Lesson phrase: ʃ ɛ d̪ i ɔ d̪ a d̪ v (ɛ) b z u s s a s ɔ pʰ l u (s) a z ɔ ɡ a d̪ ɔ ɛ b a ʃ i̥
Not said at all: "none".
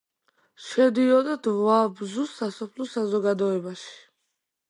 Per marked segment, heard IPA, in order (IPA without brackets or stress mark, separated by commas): a, s